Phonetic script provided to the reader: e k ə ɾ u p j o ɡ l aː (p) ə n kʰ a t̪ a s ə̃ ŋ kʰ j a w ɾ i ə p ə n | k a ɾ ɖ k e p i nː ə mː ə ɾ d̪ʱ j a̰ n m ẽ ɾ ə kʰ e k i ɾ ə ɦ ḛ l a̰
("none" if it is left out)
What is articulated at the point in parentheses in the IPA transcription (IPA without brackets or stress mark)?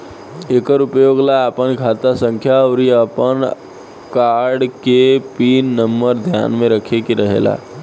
p